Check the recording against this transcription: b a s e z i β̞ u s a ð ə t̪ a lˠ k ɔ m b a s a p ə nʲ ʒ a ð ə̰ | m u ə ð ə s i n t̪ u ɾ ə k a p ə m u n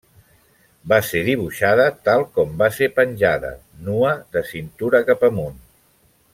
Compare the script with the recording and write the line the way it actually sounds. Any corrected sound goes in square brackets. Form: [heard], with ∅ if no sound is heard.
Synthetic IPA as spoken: b a s e [ð] i β̞ u [ʃ] a ð ə t̪ a lˠ k ɔ m b a s [e] p ə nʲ ʒ a ð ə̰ | [n] u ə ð ə s i n t̪ u ɾ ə k a p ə m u n

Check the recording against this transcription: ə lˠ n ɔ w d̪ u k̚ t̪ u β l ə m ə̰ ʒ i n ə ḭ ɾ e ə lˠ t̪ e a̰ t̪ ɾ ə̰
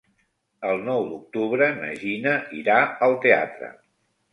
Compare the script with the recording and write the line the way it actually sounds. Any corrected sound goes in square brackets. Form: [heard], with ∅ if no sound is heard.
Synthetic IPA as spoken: ə lˠ n ɔ w d̪ u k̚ t̪ u β [ɾ] ə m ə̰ ʒ i n ə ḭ ɾ [a] ə lˠ t̪ e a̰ t̪ ɾ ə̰

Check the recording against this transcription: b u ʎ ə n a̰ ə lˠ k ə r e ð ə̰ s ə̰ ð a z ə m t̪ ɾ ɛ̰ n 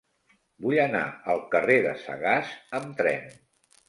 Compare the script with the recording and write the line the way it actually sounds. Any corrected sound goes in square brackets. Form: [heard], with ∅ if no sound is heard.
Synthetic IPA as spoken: b u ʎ ə n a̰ ə lˠ k ə r e ð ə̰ s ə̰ [ɣ] a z ə m t̪ ɾ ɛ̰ n

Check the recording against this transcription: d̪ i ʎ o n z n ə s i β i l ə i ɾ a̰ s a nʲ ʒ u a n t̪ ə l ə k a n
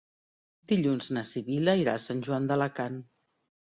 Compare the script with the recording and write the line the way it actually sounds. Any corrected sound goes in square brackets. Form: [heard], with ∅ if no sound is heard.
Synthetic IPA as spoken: d̪ i ʎ [u] n z n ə s i β i l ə i ɾ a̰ s a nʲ ʒ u a n [d̪] ə l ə k a n

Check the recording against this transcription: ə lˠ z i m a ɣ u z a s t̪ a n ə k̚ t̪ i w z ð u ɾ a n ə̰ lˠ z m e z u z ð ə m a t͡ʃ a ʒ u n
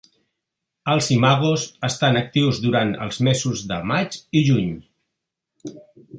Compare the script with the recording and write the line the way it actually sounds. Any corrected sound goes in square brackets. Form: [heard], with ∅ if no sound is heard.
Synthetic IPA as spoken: ə lˠ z i m a ɣ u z [ə] s t̪ a n ə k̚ t̪ i w z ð u ɾ a n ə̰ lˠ z m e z u z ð ə m a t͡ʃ [i] ʒ u [ɲ]

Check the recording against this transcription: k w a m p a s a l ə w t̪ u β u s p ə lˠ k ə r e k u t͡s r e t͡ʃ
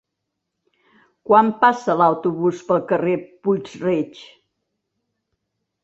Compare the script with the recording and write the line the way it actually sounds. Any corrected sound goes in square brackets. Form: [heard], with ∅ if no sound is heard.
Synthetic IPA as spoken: k w a m p a s [ə] l [a] w t̪ u β u s p ə lˠ k ə r e [p] u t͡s r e t͡ʃ

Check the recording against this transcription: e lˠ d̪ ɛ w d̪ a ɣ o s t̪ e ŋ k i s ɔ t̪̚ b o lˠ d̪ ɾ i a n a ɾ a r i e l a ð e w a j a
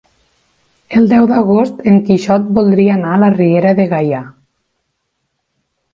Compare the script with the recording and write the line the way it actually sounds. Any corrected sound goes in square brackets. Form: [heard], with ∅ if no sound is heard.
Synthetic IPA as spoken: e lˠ d̪ ɛ w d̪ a ɣ o s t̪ e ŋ k i [ʃ] ɔ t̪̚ b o lˠ d̪ ɾ i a n a [l] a r i e [ɾ] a ð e [ɣ] a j a

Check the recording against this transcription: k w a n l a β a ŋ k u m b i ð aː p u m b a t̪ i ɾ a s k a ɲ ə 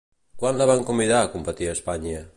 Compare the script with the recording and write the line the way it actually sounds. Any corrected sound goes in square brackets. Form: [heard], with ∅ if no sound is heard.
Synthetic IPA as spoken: k w a n l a β a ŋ k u m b i ð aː [k] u m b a t̪ i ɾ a s [p] a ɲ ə

